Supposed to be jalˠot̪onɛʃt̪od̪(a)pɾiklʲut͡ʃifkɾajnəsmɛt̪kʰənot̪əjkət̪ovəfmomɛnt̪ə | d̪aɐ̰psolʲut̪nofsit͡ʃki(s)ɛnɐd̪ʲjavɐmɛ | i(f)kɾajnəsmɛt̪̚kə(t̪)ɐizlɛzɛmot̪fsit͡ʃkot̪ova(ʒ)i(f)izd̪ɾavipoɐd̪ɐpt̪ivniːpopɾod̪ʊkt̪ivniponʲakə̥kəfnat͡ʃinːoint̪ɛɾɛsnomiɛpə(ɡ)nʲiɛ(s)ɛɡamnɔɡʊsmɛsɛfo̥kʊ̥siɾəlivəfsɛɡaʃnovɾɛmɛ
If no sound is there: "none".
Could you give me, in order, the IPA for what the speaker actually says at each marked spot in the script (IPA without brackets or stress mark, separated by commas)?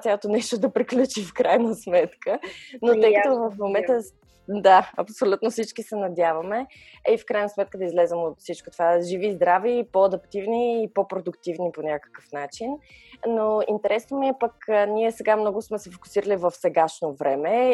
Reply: ɐ, s, f, d̪, ʒ, v, k, s